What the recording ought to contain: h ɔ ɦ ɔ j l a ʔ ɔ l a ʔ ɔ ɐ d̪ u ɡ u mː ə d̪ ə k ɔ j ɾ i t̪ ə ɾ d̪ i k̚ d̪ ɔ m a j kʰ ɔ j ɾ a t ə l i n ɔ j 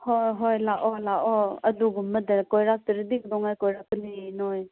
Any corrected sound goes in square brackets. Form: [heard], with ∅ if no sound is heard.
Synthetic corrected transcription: h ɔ ɦ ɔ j l a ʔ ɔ l a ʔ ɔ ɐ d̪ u ɡ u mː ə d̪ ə k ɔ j ɾ [a] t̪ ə ɾ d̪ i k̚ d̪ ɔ [ŋ] a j [k] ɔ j ɾ a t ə l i n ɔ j